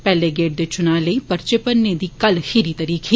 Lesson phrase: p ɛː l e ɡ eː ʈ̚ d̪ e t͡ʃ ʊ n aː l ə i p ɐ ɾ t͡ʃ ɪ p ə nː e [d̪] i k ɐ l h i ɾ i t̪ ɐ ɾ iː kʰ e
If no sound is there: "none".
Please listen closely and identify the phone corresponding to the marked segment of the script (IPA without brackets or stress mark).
d̪